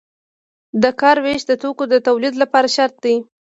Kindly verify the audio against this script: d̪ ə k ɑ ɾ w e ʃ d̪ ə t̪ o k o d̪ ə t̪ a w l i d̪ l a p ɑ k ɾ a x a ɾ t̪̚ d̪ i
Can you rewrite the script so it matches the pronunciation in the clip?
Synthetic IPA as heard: d̪ ə k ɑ ɾ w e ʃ d̪ ə t̪ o k o d̪ ə t̪ a w l i d̪ l a p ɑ ɾ a ʃ a ɾ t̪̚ d̪ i

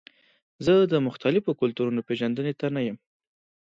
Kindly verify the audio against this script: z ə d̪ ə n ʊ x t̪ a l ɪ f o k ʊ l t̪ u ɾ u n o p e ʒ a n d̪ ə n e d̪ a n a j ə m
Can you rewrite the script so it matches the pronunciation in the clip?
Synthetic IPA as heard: z ə d̪ ə m ʊ x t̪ a l ɪ f o k ʊ l t̪ u ɾ u n o p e ʒ a n d̪ ə n e t̪ a n a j ə m

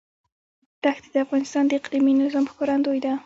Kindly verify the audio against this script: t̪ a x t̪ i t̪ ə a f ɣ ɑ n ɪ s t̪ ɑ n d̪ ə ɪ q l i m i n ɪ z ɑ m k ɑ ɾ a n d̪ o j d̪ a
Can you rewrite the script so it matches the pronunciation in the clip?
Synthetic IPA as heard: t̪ a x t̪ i d̪ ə a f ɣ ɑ n ɪ s t̪ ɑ n d̪ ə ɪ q l i m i n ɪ z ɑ m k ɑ ɾ a n d̪ o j d̪ a

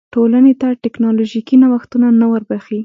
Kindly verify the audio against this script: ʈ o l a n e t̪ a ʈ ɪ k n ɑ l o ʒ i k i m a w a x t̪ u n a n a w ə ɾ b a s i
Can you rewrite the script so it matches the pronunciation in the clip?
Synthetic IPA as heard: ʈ o l a n e t̪ a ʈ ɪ k n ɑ l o ʒ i k i n a w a x t̪ u n a n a w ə ɾ b a x i

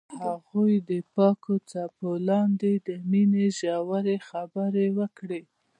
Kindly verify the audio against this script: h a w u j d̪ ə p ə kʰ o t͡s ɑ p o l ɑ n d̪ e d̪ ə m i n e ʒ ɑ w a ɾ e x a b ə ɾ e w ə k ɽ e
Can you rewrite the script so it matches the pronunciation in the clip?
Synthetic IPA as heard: h a ɣ u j d̪ ə p ɑ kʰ o t͡s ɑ p o l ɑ n d̪ e d̪ ə m i n e ʒ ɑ w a ɾ e x a b ə ɾ e w ə k ɽ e

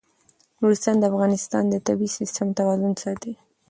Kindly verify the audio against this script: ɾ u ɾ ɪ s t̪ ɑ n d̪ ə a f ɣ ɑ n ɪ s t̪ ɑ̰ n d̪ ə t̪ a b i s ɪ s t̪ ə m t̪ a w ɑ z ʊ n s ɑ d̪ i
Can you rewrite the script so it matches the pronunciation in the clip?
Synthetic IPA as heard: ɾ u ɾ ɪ s t̪ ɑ n d̪ ə a f ɣ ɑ n ɪ s t̪ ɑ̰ n d̪ ə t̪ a b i s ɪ s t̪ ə m t̪ a w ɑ z ʊ n s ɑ t̪ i

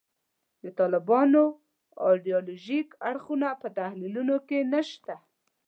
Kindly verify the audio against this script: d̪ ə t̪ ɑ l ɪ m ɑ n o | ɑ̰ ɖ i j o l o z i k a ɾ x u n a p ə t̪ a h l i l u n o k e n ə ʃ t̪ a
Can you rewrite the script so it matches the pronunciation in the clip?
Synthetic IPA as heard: d̪ ə t̪ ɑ l ɪ b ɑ n o | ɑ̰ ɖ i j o l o ʒ i k a ɽ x u n a p ə t̪ a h l i l u n o k e n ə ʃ t̪ a

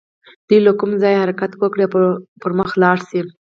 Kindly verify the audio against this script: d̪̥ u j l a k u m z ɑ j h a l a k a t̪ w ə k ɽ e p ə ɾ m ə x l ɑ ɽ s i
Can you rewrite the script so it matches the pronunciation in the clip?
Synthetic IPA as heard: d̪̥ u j l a k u m z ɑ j h a ɾ a k a t̪ w ə k ɽ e p ə ɾ m ə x l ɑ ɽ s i

